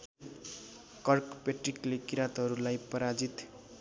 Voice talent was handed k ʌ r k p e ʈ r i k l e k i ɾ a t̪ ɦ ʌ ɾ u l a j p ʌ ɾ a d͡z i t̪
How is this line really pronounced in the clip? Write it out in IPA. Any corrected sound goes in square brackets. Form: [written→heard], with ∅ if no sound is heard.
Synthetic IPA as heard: k ʌ r k p e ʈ r i k l e k i ɾ a t̪ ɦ ʌ ɾ u l a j p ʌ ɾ a d͡z i t̪